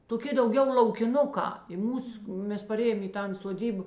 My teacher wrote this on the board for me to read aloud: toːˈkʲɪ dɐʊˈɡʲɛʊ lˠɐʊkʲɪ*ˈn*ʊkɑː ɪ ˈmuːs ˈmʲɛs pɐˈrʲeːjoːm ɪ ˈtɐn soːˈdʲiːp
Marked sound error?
no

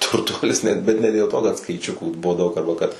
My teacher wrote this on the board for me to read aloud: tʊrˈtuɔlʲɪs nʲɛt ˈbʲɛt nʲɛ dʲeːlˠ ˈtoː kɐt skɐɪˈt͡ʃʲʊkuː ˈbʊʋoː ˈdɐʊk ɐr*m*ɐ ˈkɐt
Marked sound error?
yes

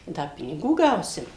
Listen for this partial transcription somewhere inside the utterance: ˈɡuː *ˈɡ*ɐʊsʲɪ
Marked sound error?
no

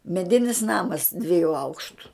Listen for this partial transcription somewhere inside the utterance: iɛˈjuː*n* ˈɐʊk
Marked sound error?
yes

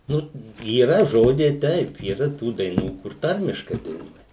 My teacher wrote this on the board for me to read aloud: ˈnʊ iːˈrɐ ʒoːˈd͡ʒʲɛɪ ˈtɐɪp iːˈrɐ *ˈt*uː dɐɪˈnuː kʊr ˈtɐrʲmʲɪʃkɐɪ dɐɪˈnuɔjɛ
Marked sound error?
no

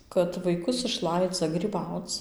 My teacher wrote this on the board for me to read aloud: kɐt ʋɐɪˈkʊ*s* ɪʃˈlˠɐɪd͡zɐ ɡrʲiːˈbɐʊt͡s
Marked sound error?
no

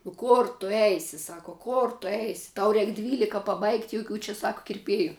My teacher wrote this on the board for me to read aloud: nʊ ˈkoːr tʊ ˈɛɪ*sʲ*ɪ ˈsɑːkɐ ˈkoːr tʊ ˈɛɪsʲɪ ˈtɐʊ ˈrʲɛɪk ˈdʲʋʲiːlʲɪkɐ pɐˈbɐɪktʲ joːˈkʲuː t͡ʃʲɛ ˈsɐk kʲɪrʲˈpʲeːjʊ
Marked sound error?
no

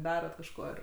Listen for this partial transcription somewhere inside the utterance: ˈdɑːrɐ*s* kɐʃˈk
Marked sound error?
yes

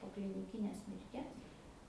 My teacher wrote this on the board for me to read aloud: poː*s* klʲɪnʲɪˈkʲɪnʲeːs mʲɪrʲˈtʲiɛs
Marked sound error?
yes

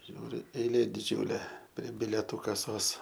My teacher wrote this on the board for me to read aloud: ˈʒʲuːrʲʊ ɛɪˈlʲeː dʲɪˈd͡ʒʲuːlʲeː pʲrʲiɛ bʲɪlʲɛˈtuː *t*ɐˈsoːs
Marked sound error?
yes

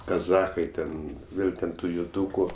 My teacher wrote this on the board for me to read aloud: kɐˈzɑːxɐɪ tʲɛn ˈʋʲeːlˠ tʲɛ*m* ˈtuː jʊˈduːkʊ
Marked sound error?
yes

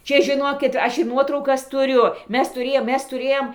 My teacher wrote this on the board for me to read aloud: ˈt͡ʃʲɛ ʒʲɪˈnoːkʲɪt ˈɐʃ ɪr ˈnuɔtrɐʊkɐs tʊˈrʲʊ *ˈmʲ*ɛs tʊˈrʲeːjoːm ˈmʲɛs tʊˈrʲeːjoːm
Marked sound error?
no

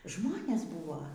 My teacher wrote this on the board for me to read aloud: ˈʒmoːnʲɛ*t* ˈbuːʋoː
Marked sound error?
yes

